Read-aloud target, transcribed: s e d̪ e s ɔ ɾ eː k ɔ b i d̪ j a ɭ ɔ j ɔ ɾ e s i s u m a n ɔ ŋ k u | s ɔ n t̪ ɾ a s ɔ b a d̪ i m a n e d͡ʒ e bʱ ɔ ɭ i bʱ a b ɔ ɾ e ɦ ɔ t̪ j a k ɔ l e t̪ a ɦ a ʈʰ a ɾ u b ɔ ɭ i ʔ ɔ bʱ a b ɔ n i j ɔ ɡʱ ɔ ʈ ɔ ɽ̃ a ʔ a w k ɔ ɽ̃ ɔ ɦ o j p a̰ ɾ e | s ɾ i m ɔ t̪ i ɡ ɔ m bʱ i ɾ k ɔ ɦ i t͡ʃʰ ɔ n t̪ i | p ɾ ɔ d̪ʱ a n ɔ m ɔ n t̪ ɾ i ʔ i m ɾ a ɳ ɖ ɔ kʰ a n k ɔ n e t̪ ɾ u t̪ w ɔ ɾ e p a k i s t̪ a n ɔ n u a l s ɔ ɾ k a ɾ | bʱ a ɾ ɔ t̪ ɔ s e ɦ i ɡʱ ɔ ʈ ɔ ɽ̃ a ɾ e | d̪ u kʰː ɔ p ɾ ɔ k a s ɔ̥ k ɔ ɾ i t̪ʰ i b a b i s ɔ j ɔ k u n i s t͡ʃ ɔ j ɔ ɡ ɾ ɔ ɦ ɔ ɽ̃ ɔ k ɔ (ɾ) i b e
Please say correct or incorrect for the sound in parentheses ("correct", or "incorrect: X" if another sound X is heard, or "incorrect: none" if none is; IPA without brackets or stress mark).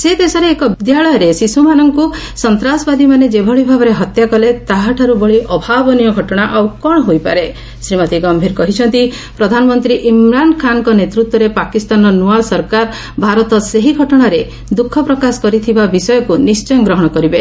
correct